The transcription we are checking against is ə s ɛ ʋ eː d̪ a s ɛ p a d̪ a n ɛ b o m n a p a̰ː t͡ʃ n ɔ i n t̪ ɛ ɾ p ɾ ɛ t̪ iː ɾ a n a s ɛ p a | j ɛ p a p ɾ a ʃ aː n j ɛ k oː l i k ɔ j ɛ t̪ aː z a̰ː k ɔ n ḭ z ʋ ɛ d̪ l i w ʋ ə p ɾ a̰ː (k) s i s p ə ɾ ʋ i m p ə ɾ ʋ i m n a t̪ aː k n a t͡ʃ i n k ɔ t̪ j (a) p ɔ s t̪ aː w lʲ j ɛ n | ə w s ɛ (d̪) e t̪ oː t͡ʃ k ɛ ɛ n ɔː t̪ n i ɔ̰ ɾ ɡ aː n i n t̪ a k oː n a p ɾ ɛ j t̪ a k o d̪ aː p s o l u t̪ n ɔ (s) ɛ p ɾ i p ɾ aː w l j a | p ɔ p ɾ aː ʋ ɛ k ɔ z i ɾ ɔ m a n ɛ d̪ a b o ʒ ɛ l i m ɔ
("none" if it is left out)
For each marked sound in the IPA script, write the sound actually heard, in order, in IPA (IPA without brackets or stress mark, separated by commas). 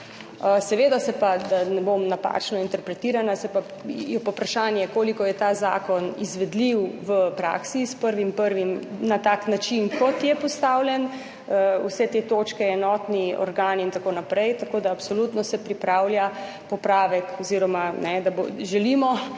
k, ɛ, t̪, s